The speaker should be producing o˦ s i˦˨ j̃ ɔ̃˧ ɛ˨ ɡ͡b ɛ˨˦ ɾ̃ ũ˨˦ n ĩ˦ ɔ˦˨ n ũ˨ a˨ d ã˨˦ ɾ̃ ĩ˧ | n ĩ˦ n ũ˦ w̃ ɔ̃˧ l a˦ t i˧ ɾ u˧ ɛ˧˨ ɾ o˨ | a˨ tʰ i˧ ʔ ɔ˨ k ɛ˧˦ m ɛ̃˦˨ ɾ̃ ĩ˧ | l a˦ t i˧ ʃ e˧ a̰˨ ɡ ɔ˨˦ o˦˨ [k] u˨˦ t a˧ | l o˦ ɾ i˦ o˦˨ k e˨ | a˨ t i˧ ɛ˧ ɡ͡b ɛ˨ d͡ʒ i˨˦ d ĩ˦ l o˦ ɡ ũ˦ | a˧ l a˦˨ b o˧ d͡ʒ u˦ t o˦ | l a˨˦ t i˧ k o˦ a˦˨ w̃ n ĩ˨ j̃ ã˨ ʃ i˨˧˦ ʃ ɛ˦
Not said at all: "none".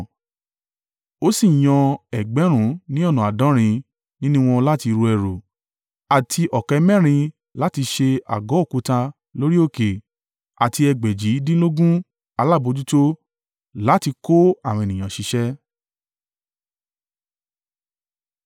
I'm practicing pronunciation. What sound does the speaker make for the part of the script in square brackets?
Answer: k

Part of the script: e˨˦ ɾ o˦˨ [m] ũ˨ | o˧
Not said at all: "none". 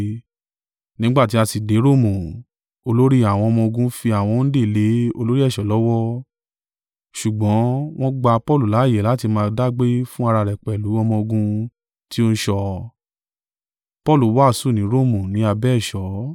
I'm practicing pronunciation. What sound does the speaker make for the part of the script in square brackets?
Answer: m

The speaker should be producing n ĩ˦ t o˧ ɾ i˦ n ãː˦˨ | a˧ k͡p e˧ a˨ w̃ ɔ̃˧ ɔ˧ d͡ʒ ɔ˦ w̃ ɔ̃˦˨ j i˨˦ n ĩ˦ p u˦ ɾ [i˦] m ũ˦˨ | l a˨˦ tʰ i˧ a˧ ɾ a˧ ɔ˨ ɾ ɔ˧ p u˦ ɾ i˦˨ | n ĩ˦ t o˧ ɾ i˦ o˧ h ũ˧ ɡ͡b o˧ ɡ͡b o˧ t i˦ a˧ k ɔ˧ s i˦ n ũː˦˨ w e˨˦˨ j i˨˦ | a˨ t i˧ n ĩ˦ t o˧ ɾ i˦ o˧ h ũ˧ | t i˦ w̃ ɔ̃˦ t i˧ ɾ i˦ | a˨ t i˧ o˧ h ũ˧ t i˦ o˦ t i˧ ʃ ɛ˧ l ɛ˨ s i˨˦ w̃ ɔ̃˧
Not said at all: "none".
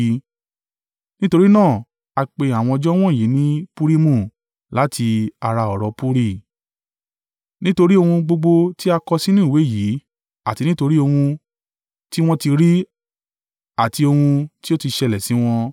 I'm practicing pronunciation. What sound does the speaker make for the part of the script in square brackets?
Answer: i˦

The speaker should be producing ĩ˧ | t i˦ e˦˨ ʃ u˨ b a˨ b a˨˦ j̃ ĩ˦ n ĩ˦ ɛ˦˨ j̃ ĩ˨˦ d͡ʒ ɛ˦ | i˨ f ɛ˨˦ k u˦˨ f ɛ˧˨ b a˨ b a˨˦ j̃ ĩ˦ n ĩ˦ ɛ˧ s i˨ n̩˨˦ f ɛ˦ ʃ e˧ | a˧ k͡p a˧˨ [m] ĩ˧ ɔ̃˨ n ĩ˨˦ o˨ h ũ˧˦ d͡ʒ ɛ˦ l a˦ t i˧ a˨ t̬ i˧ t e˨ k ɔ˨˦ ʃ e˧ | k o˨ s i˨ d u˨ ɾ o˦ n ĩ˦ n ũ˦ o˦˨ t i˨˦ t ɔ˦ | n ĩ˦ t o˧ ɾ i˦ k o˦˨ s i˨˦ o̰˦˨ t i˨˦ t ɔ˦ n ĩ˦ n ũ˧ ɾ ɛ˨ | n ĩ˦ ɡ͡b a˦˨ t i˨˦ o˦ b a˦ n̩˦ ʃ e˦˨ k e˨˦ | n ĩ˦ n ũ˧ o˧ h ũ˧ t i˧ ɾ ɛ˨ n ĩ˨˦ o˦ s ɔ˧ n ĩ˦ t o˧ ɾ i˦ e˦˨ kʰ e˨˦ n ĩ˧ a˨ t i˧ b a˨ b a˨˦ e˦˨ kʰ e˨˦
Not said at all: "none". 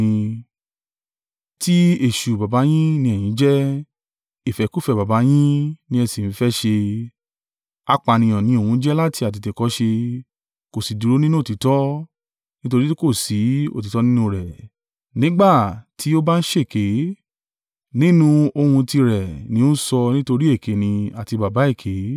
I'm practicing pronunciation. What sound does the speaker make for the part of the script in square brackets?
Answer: n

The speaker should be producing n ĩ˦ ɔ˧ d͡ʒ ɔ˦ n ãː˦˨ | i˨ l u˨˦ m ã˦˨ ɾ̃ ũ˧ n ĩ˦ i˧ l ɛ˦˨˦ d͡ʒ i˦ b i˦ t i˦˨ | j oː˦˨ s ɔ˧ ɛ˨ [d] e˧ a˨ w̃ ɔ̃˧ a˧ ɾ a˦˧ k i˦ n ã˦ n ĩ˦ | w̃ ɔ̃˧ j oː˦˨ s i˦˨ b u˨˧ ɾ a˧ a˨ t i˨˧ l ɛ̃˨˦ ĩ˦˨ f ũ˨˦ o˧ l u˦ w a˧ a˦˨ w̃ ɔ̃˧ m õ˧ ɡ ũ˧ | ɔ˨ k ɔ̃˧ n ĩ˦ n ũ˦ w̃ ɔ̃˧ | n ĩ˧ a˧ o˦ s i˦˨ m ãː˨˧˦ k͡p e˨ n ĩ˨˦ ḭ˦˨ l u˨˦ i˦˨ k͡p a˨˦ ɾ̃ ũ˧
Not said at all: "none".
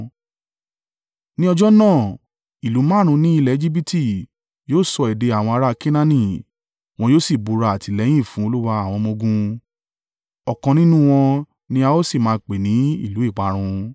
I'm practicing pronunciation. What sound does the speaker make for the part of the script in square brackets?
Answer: d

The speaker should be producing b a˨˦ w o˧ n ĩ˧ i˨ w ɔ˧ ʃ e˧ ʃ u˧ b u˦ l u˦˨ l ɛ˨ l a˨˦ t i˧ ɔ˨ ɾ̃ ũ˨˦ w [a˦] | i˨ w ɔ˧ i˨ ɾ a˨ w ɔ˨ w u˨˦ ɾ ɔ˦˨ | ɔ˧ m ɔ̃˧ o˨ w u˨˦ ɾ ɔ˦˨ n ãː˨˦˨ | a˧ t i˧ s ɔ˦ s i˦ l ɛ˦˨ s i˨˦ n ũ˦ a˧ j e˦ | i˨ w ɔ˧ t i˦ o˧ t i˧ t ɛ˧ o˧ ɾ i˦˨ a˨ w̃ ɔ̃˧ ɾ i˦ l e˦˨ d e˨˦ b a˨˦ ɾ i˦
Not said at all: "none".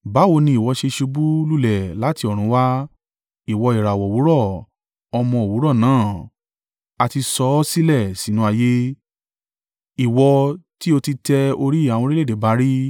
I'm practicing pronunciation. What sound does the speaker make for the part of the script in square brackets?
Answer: a˦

